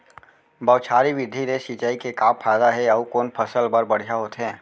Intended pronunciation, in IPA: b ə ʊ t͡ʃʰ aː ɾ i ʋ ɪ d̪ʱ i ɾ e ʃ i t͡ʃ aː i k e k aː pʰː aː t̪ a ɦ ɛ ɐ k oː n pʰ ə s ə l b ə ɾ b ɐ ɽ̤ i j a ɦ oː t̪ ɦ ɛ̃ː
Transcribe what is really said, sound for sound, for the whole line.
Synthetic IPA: b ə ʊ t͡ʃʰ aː ɾ i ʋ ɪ d̪ʱ i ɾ e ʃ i t͡ʃ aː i k e k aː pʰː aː d̪ a ɦ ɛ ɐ k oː n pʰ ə s ə l b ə ɾ b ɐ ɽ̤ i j a ɦ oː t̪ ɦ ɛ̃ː